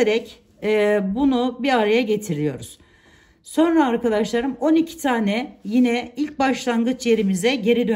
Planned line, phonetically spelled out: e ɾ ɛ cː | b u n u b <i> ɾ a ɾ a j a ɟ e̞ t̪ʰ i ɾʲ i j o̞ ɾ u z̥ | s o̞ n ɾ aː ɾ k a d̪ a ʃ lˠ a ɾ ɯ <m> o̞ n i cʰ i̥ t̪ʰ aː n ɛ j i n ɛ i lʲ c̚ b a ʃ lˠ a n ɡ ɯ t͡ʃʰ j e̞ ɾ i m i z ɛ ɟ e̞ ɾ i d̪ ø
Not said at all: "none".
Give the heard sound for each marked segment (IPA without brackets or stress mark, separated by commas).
i, m